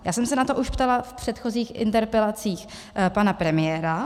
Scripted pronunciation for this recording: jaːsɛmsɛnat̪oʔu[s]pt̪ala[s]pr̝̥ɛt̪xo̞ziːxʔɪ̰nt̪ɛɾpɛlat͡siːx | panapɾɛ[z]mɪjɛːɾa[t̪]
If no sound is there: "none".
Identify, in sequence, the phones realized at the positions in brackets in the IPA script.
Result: ʃ, f, none, none

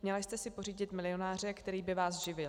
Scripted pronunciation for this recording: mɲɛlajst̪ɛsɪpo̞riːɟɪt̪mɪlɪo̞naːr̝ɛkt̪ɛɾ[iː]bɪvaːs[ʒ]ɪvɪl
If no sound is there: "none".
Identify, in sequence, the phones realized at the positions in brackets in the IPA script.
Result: iː, ʒ

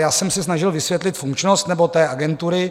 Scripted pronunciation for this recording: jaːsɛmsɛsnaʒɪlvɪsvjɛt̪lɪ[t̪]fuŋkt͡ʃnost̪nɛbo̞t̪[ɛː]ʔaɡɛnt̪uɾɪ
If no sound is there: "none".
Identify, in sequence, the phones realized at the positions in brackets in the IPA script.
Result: t̪, ɛː

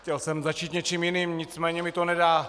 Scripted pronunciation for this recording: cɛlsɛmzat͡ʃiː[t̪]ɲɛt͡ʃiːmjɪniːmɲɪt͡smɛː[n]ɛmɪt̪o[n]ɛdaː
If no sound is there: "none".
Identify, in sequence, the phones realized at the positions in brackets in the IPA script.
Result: t̪, ɲ, n

